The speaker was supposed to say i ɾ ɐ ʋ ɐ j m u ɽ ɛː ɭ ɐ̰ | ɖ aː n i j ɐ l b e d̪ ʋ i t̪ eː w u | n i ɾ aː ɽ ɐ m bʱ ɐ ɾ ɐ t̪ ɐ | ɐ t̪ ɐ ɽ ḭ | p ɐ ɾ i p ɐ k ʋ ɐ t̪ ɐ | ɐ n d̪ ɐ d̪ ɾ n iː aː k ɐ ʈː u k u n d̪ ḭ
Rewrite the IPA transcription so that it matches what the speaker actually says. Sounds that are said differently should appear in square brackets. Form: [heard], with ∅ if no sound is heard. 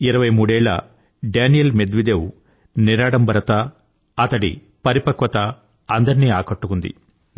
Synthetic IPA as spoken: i ɾ ɐ ʋ ɐ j m [uː] ɽ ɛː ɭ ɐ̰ | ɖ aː n i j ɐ l [m] e d̪ ʋ i [d̪] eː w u | n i ɾ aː ɽ ɐ m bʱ ɐ ɾ ɐ t̪ ɐ | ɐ t̪ ɐ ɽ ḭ | p ɐ ɾ i p ɐ k ʋ ɐ t̪ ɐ | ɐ n d̪ ɐ [∅] ɾ n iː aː k ɐ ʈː u k u n d̪ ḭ